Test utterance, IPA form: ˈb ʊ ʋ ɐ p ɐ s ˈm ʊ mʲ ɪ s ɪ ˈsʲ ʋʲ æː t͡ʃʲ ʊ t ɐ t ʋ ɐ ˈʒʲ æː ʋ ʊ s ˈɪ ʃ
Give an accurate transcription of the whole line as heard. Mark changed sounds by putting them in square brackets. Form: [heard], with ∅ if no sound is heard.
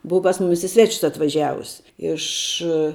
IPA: ˈb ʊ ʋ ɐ p ɐ s ˈm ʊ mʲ ɪ s ɪ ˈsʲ ʋʲ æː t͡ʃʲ ʊ [s] ɐ t ʋ ɐ ˈʒʲ æː ʋ ʊ s ˈɪ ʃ